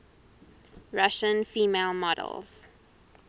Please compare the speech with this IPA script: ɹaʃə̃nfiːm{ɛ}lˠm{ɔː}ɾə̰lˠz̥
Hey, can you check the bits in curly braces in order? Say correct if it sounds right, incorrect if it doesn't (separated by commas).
incorrect, incorrect